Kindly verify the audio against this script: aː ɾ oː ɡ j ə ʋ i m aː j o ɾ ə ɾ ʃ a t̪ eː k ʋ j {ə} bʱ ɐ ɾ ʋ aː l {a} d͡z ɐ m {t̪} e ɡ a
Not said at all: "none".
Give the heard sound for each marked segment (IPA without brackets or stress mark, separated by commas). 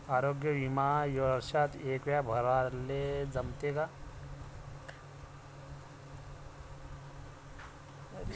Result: a, e, t̪